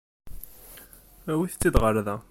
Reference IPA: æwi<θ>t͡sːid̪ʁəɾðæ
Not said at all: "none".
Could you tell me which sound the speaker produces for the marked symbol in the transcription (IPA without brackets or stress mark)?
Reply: θ